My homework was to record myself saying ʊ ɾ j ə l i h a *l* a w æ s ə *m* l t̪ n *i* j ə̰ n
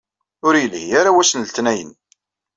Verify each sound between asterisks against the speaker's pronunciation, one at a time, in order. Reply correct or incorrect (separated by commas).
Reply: incorrect, incorrect, incorrect